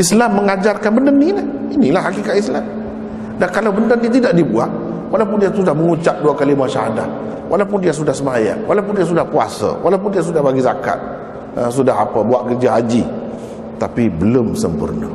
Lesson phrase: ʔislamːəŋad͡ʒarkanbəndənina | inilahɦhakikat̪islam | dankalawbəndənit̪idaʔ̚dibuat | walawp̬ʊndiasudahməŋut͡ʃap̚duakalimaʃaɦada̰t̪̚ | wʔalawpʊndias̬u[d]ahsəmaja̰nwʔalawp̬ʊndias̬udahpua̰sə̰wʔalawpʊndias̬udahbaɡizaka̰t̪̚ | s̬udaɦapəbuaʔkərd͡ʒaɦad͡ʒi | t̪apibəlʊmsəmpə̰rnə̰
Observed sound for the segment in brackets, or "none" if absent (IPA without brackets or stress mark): d